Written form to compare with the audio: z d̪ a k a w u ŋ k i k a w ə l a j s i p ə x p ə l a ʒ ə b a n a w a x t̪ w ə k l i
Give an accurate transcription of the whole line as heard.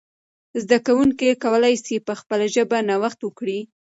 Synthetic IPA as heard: z d̪ a k a w u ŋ k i k a w ə l a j s i p ə x p ə l a ʒ ə b a n a w a x t̪ w ə k ɽ i

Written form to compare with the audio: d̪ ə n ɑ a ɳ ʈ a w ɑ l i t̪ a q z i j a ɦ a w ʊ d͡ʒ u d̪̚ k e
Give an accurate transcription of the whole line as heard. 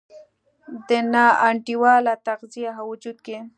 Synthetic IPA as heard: d̪ ə n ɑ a ɳ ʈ i w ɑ l a t̪ a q z i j a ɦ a w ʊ d͡ʒ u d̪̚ k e

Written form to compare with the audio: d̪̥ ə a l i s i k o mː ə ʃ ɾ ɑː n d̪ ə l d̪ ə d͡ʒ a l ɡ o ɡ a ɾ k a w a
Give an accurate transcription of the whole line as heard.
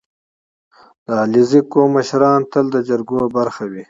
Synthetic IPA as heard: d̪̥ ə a l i z i k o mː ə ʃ ɾ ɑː n t̪ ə l d̪ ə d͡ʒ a ɾ ɡ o b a ɾ x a w i

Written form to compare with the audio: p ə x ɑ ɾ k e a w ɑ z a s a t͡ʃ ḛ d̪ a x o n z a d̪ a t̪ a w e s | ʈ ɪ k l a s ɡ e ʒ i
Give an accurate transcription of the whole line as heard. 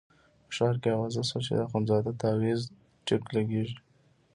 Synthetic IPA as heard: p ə ʃ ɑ ɾ k e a w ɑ z a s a t͡ʃ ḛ d̪ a x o n z ɑ d̪ a t̪ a w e z | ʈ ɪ k l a ɡ e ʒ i

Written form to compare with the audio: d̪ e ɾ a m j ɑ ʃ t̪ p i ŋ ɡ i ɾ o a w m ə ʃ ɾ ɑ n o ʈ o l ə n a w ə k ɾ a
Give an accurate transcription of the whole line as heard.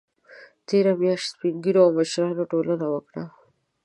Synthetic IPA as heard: t̪ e ɾ a m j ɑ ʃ t̪ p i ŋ ɡ i ɾ o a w m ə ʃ ɾ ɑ n o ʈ o l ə n a w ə k ɽ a

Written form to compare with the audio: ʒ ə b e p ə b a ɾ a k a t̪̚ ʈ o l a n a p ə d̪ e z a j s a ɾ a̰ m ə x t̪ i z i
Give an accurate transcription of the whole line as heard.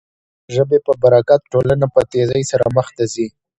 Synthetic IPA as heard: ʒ ə b e p ə b a ɾ a k a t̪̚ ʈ o l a n a p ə t̪ e z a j s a ɾ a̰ m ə x t̪ a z i

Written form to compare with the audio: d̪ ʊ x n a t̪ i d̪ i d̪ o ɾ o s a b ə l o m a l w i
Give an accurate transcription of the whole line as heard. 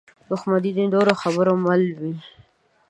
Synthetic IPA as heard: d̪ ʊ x m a d̪ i d̪ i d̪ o ɾ o x a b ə ɾ o m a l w i

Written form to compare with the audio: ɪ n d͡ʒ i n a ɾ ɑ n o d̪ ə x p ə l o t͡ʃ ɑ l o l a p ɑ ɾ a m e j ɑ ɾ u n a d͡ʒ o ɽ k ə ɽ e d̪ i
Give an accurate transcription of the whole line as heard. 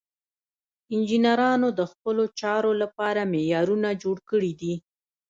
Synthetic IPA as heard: ɪ n d͡ʒ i n a ɾ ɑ n o d̪ ə x p ə l o t͡ʃ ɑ ɾ o l a p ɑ ɾ a m e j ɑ ɾ u n a d͡ʒ o ɽ k ə ɽ i d̪ i

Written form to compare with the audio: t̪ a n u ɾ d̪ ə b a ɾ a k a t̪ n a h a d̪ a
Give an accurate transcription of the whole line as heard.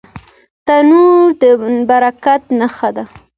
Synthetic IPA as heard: t̪ a n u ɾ d̪ ə b a ɾ a k a t̪ n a x a d̪ a

